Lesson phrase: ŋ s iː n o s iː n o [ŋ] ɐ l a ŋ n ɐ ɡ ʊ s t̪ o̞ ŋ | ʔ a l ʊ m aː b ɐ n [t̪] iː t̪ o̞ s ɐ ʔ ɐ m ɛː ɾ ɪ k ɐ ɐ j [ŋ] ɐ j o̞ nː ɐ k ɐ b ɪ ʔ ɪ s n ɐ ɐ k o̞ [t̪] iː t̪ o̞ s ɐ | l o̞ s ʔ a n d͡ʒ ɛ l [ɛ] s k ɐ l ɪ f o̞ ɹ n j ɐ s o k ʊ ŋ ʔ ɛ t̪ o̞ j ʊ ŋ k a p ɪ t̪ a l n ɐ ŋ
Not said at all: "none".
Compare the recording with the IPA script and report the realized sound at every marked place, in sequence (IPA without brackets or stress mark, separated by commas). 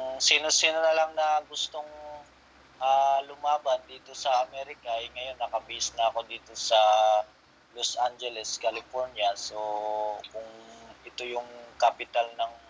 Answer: n, d̪, ŋ, d̪, ɛ